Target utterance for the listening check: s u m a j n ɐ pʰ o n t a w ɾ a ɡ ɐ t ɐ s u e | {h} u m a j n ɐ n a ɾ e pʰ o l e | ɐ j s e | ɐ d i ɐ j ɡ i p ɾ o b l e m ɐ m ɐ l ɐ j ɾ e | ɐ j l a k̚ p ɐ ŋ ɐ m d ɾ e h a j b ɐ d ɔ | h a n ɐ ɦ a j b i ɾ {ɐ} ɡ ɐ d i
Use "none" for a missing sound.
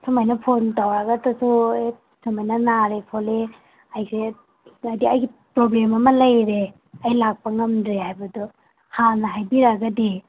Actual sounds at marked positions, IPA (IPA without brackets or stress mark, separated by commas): s, a